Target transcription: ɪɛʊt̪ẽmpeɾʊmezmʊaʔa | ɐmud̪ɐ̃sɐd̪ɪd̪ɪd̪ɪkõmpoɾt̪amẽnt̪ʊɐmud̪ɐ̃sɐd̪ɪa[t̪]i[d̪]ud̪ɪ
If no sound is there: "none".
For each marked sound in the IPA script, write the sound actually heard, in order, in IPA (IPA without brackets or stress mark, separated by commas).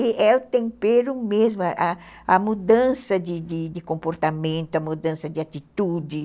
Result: t̪, t̪